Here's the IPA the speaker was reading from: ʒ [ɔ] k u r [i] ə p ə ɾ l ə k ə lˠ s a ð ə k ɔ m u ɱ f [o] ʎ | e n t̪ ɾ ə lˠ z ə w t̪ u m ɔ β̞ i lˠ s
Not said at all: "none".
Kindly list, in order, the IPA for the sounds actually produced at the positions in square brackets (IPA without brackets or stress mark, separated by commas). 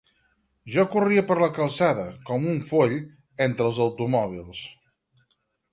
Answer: ɔ, i, o